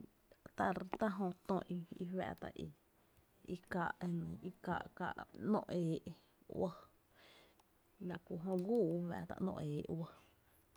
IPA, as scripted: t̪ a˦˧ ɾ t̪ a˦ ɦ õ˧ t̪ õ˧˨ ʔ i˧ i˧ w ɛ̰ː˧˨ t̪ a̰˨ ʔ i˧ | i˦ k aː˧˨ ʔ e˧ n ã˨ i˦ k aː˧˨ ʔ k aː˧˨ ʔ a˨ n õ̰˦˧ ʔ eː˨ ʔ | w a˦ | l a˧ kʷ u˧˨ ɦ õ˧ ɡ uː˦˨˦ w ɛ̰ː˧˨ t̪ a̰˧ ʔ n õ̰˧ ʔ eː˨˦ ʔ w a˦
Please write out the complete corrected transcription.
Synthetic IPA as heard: t̪ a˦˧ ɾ t̪ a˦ ɦ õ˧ t̪ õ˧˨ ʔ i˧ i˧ w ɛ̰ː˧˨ t̪ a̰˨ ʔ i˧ | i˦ k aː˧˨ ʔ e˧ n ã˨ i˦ k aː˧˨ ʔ k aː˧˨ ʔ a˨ n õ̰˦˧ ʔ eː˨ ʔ | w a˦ | l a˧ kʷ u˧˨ ɦ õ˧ ɡ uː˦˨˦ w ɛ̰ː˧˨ t̪ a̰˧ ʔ n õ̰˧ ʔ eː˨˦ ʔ w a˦